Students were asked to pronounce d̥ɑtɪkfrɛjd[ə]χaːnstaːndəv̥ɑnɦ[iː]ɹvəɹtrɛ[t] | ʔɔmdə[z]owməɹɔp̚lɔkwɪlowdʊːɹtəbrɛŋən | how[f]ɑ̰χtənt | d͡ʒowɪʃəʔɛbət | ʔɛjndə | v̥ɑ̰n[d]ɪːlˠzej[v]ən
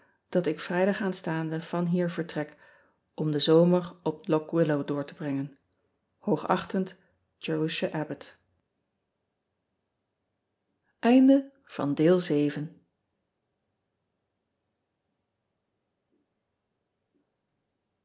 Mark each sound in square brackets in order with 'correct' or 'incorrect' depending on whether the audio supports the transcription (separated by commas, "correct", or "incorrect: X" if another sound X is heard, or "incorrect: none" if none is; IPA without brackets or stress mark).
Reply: incorrect: ɑ, correct, incorrect: k, correct, incorrect: χ, correct, correct